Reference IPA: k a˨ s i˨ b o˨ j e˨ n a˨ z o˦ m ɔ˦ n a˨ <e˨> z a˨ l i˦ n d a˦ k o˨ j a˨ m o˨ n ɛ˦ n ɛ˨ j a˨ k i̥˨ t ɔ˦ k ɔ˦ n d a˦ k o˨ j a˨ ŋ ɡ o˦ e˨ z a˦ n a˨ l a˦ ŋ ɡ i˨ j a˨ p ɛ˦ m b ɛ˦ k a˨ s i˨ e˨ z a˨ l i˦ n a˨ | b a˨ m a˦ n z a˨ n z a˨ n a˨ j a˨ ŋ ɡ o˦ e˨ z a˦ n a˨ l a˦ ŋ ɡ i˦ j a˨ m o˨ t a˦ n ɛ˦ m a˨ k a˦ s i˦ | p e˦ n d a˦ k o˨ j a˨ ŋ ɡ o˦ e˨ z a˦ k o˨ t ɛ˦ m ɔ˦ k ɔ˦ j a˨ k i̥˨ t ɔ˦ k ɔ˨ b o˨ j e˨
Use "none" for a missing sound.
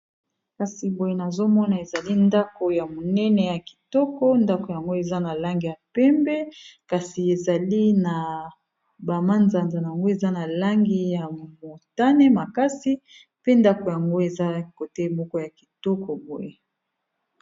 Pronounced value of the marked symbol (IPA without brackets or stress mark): e˨